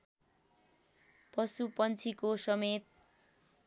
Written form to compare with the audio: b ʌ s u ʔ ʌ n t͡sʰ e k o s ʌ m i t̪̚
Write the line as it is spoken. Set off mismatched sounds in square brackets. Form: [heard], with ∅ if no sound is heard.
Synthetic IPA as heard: [p] ʌ s u [p] ʌ n t͡sʰ [i] k o s ʌ m [e] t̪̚